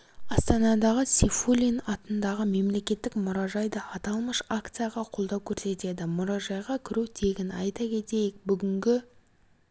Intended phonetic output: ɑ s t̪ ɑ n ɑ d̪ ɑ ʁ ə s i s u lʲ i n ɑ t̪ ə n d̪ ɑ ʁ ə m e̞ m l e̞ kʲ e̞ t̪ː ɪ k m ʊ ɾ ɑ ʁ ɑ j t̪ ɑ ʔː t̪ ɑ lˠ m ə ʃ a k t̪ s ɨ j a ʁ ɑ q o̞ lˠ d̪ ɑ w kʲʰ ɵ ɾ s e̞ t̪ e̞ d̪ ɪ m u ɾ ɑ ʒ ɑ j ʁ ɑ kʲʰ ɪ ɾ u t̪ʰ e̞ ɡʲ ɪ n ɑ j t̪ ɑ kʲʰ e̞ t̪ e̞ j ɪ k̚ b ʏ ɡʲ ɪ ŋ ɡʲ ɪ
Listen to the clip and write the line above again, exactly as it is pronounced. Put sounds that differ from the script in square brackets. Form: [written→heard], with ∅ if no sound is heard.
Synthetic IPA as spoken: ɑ s t̪ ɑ n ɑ d̪ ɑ ʁ ə s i [s→f] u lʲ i n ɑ t̪ ə n d̪ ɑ ʁ ə m e̞ m l e̞ kʲ e̞ t̪ː ɪ k m ʊ ɾ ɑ [ʁ→ʒ] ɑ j [t̪→d̪] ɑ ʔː t̪ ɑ lˠ m ə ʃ a k t̪ s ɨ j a ʁ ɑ [q→qʰ] o̞ lˠ d̪ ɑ w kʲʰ ɵ ɾ s e̞ t̪ e̞ d̪ ɪ m [u→ʊ] ɾ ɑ ʒ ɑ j ʁ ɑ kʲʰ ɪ ɾ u t̪ʰ e̞ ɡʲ ɪ n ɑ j t̪ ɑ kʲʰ e̞ t̪ e̞ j ɪ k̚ b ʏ ɡʲ ɪ ŋ ɡʲ ɪ